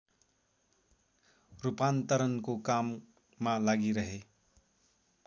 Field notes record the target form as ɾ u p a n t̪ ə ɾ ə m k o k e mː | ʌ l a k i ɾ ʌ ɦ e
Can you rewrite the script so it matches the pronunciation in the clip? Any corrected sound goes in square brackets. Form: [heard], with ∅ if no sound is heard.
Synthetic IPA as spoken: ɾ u p a n t̪ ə ɾ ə [n] k o k [a] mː | [a] l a [ɡ] i ɾ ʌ ɦ e